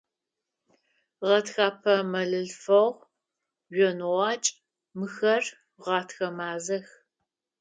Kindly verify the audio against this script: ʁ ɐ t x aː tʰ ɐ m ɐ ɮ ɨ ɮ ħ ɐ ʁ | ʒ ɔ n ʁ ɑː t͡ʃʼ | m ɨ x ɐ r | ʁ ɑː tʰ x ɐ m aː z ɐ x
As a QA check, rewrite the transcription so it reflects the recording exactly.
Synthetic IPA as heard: ʁ ɐ t x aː pʰ ɐ m ɐ ɮ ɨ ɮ f ɐ ʁ | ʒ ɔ n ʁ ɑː t͡ʃʼ | m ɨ x ɐ r | ʁ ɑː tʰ x ɐ m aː z ɐ x